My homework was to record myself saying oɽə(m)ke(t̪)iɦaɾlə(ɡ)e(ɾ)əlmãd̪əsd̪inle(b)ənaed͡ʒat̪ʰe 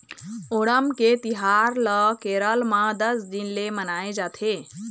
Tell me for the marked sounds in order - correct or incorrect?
correct, correct, incorrect, correct, incorrect

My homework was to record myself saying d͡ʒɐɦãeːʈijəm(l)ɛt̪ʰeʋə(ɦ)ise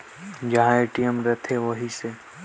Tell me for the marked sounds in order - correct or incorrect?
incorrect, correct

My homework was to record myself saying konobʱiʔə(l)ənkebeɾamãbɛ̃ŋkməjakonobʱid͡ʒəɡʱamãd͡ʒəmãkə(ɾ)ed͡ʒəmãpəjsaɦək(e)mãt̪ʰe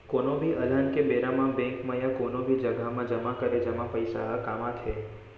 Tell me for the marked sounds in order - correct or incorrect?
correct, correct, incorrect

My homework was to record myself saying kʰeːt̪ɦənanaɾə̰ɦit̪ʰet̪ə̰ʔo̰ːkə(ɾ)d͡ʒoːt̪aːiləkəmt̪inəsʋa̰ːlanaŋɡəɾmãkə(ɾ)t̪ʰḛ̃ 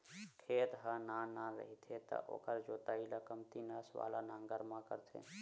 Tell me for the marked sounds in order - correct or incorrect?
correct, correct

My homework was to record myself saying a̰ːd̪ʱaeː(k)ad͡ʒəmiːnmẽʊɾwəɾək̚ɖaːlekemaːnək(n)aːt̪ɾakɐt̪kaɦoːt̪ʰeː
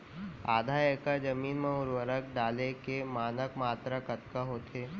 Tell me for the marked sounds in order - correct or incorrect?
correct, incorrect

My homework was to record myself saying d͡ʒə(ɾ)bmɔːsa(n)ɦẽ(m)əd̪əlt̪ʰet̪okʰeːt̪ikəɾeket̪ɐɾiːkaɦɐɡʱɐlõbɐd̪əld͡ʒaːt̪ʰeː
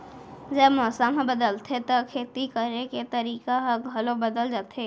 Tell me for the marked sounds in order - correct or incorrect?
incorrect, incorrect, incorrect

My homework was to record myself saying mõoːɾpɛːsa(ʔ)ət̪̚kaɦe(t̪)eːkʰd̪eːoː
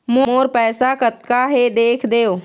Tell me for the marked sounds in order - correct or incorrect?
incorrect, incorrect

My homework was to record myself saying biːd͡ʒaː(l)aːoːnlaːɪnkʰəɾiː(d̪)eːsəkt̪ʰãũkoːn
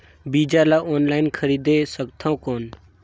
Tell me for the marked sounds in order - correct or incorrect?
correct, correct

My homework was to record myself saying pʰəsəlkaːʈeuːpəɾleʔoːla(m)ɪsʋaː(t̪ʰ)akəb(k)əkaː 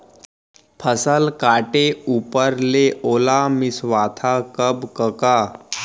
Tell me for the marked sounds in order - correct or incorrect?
correct, correct, correct

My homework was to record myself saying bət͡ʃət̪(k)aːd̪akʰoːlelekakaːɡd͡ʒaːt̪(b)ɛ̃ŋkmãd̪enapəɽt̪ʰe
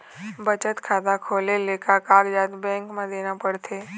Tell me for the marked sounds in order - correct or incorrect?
incorrect, correct

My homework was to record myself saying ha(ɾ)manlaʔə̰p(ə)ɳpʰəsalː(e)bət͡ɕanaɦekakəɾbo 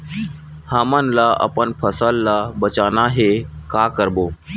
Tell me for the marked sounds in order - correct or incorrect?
incorrect, correct, incorrect

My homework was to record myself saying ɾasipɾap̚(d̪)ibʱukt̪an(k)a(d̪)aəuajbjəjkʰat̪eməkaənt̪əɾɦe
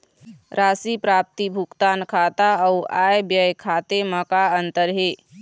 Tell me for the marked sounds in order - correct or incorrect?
incorrect, incorrect, incorrect

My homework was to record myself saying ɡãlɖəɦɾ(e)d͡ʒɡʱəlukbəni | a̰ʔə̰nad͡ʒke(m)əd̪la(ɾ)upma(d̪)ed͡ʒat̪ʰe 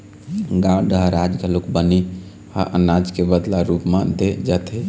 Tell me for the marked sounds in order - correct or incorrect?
incorrect, incorrect, correct, correct

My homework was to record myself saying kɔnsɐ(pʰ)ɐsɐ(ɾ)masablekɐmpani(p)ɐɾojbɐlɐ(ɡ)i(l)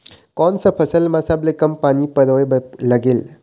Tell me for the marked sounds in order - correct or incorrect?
correct, incorrect, correct, correct, correct

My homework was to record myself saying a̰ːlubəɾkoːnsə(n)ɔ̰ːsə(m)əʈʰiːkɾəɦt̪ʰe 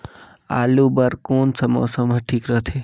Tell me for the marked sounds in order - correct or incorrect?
incorrect, correct

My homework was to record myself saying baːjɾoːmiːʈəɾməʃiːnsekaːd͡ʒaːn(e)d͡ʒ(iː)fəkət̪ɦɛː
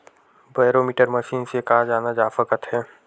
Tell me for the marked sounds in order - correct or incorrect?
incorrect, incorrect

